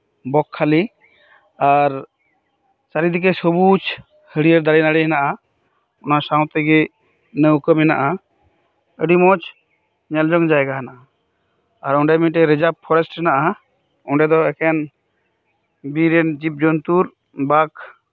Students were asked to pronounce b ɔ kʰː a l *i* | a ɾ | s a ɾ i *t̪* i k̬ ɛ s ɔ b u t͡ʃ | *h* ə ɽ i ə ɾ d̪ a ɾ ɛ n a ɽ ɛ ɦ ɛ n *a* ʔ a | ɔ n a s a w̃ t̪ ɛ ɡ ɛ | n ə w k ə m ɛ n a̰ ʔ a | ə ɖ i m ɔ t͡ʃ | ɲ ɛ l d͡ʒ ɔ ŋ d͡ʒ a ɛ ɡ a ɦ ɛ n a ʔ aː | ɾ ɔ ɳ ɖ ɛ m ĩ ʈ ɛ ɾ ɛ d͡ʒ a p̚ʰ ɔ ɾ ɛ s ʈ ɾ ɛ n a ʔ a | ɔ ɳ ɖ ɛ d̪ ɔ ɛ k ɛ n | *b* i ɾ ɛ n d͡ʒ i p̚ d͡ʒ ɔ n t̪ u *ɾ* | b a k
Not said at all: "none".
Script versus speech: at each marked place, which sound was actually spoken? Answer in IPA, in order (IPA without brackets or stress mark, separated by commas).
i, d̪, h, a, b, ɾ